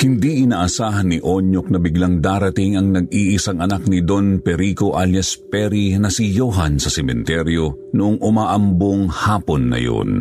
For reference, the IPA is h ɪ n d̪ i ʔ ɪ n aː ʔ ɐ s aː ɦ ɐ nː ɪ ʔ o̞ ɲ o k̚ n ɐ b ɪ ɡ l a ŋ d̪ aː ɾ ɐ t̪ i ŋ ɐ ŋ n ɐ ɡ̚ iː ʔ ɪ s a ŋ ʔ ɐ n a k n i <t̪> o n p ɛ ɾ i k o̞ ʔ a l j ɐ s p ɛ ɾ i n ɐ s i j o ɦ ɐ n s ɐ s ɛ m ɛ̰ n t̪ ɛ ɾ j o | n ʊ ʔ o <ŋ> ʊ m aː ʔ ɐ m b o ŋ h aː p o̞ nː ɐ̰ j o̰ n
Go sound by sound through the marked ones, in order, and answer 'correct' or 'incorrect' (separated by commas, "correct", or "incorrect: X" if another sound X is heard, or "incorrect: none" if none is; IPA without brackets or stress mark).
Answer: incorrect: d̪, correct